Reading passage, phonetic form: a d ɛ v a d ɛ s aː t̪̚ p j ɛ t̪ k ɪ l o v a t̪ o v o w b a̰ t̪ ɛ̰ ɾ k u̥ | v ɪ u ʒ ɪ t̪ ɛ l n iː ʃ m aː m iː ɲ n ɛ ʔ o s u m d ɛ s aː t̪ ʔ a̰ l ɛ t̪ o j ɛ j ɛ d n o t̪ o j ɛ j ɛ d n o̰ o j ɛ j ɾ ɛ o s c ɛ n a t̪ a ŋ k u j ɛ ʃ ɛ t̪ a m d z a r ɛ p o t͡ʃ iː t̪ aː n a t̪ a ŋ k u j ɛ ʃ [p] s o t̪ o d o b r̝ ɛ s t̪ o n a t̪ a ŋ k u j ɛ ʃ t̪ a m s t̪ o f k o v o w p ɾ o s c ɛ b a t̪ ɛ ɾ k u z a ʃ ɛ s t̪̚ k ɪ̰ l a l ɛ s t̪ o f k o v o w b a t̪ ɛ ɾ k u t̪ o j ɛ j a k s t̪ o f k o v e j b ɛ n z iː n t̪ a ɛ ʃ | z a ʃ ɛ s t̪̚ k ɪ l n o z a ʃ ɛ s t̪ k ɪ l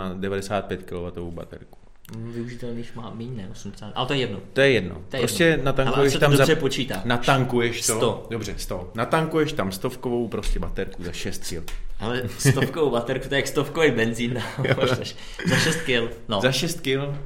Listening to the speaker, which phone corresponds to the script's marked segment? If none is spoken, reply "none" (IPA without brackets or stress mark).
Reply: t